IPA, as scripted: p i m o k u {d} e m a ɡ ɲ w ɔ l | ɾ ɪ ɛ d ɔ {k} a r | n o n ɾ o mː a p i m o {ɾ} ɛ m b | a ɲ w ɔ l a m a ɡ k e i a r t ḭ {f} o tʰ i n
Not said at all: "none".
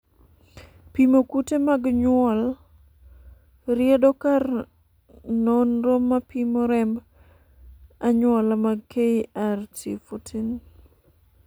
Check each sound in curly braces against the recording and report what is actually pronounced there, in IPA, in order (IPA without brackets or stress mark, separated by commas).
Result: t, k, ɾ, f